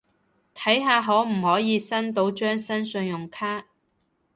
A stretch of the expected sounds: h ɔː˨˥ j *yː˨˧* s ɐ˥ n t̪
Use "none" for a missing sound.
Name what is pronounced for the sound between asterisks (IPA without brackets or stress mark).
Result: iː˨˧